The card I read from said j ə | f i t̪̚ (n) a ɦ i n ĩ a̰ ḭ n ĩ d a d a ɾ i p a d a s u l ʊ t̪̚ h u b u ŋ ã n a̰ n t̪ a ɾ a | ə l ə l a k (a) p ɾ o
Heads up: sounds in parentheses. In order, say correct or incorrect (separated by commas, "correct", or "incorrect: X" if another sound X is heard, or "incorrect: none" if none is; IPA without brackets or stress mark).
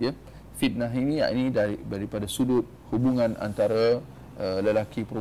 correct, incorrect: i